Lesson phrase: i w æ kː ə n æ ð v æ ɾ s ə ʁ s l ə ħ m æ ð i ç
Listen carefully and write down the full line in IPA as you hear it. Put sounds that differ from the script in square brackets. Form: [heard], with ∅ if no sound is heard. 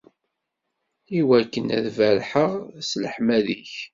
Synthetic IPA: i w æ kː ə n æ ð v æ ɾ [ħ] ə ʁ s l ə ħ m æ ð i ç

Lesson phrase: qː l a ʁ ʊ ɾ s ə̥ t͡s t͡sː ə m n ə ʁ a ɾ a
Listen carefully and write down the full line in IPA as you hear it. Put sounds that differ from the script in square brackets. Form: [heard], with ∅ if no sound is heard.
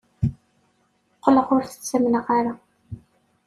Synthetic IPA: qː l [ə] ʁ ʊ ɾ [θ] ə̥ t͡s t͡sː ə m n ə ʁ a ɾ a

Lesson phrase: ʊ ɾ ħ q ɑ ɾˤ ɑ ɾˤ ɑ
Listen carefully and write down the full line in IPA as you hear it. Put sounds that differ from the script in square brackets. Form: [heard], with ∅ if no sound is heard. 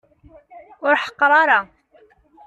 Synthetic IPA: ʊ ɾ ħ q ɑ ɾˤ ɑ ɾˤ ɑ

